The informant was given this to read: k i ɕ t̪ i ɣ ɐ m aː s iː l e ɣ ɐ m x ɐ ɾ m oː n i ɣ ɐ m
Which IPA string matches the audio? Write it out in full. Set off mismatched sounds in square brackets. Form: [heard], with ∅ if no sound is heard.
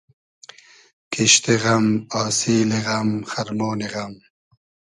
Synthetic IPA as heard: k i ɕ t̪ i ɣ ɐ m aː s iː l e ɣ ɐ m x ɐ ɾ m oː n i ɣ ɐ m